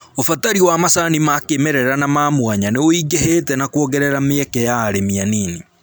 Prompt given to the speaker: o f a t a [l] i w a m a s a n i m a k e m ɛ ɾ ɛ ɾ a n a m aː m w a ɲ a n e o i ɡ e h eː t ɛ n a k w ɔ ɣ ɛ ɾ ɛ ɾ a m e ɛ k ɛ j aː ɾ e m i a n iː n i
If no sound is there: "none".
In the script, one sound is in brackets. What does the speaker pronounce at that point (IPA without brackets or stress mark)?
ɾ